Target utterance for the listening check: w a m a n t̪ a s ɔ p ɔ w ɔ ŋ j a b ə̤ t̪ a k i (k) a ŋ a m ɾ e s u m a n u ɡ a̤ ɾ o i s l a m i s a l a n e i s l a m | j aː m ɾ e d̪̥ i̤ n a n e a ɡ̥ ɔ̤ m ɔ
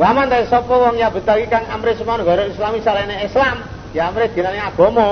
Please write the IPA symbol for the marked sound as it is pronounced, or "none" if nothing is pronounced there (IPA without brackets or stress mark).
k